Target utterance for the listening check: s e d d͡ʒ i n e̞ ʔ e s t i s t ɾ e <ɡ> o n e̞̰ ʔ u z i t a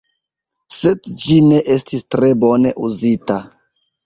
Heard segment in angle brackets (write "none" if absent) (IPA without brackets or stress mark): b